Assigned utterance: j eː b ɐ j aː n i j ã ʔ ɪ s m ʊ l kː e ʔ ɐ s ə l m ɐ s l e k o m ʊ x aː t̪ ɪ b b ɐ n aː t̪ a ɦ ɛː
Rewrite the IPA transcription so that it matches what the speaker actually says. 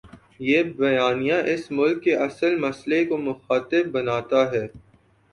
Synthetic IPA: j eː b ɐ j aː n i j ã ʔ ɪ s m ʊ l kː e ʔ ɐ s ə l m ɐ s l e k o m ʊ x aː t̪ ɪ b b ɐ n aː t̪ a ɦ ɛː